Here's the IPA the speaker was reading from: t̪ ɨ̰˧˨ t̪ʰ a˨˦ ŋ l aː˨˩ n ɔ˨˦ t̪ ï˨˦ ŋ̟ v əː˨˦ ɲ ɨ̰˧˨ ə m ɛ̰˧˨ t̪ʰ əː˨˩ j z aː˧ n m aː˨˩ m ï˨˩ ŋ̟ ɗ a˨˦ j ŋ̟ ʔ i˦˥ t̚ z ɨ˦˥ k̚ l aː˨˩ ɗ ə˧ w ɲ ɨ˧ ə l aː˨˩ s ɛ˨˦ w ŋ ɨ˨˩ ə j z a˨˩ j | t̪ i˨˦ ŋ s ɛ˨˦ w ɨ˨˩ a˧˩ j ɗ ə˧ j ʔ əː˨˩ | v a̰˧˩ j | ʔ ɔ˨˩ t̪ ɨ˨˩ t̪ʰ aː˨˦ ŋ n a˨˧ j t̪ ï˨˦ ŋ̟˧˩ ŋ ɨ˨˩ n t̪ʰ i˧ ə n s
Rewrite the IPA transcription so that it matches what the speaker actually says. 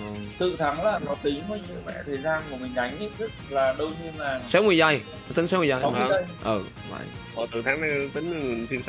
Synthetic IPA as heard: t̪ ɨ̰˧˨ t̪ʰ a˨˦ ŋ l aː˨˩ n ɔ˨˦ t̪ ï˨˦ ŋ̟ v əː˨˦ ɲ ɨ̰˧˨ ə m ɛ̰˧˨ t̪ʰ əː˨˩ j z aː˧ n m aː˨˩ m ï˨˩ ŋ̟ ɗ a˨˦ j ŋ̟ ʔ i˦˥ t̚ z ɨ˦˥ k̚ l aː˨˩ ɗ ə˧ w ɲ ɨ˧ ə l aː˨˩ s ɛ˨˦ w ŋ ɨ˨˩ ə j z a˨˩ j | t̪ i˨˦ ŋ s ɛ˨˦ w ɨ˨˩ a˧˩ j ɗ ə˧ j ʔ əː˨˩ | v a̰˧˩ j | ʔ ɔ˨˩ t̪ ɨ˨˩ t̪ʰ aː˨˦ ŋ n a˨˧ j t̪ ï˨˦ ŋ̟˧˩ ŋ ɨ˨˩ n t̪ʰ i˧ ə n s